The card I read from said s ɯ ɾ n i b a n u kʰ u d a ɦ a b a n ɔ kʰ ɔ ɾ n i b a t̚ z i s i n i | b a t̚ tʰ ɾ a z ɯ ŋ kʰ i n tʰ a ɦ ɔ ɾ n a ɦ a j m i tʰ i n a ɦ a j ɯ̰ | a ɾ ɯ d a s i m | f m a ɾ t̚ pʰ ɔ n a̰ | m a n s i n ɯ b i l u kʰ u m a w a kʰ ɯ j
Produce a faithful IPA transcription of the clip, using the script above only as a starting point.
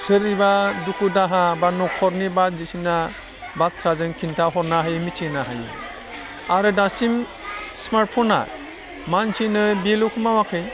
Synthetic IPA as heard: s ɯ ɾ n i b a d u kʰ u d a ɦ a b a n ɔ kʰ ɔ ɾ n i b a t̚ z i s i n a | b a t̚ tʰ ɾ a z ɯ ŋ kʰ i n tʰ a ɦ ɔ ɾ n a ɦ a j m i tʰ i n a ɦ a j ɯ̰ | a ɾ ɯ d a s i m | s m a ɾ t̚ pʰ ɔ n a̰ | m a n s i n ɯ b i l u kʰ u m a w a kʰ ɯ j